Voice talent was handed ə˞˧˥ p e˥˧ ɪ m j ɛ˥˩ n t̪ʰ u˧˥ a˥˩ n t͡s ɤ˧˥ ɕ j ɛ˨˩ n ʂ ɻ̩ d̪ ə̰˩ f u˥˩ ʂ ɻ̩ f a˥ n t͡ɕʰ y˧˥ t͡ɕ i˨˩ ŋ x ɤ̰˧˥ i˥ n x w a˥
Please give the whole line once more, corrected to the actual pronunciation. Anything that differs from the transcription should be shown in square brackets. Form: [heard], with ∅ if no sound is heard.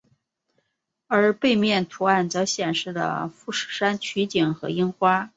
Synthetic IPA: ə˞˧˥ p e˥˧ ɪ m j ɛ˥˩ n t̪ʰ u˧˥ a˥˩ n t͡s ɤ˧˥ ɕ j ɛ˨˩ n ʂ ɻ̩ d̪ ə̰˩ f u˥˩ ʂ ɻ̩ [ʂ] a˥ n t͡ɕʰ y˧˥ t͡ɕ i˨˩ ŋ x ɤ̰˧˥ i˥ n x w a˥